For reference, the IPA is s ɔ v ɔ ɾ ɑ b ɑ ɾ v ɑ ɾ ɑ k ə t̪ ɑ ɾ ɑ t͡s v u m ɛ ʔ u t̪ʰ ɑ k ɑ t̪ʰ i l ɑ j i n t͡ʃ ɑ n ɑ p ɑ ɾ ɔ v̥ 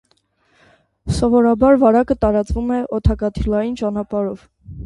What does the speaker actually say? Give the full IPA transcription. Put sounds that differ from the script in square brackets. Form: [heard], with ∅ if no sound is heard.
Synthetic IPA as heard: s ɔ v ɔ ɾ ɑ b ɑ ɾ v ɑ ɾ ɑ k ə t̪ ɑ ɾ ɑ t͡s v u m ɛ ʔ [ɔ] t̪ʰ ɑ k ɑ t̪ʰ i l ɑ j i n t͡ʃ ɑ n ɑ p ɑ ɾ ɔ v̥